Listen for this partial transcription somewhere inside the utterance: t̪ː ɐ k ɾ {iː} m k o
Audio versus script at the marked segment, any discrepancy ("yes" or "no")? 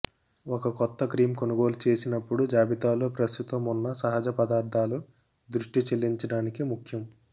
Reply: no